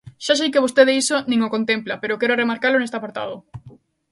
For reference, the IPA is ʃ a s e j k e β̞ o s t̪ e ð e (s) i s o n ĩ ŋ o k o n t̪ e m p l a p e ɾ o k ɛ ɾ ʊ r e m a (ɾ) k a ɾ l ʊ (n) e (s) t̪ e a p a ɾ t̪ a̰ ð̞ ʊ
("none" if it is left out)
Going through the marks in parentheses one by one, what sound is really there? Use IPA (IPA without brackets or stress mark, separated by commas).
none, ɾ, n, s